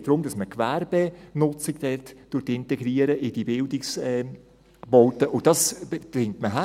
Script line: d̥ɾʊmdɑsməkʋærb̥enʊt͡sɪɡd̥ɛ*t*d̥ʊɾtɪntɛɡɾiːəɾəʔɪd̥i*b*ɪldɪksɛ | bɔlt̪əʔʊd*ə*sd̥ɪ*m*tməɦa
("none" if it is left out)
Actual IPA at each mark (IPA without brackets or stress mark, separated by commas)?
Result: t, b, ɑ, ŋ